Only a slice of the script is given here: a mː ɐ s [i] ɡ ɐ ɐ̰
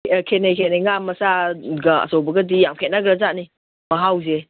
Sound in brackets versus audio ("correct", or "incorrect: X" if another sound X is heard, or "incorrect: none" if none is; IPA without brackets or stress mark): incorrect: a